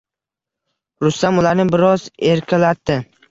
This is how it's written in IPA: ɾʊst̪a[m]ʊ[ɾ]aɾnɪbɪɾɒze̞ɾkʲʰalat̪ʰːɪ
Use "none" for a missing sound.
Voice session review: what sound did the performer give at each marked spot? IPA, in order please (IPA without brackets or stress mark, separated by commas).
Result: m, l